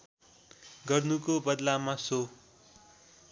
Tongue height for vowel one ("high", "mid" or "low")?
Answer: mid